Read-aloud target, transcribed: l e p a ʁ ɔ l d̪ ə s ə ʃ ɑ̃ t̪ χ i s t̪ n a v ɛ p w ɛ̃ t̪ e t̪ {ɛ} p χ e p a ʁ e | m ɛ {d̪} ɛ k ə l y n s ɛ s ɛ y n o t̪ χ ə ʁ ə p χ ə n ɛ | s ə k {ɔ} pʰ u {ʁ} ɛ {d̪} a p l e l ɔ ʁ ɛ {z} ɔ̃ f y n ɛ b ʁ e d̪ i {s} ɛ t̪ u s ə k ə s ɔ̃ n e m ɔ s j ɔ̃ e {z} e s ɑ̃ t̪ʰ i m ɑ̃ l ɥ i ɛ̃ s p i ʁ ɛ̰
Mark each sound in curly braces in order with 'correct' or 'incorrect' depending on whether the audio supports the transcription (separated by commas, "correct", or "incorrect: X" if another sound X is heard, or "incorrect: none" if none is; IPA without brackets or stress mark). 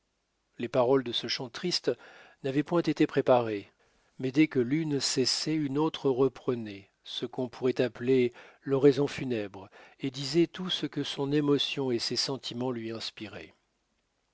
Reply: incorrect: e, correct, incorrect: ɔ̃, correct, incorrect: t̪, correct, incorrect: z, incorrect: s